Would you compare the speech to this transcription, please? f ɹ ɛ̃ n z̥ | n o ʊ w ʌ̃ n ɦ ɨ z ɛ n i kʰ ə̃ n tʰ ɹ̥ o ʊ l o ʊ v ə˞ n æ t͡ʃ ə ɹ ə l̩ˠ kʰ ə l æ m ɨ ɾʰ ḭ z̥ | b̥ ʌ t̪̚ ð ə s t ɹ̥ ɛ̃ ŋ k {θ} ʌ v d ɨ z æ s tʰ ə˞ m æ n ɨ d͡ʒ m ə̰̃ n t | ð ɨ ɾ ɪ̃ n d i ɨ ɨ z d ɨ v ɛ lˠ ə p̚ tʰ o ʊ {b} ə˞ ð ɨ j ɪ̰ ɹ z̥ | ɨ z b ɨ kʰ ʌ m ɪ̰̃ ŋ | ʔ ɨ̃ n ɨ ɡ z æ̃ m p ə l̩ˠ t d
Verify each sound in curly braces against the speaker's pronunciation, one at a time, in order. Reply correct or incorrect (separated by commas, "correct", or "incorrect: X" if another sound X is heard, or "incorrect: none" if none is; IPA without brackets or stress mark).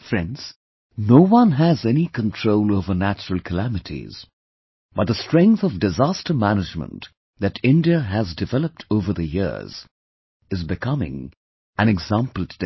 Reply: correct, incorrect: v